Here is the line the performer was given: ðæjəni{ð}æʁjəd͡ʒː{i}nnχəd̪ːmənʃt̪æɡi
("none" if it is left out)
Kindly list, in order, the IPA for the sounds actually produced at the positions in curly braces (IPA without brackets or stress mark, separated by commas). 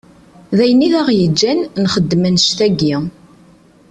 ð, æ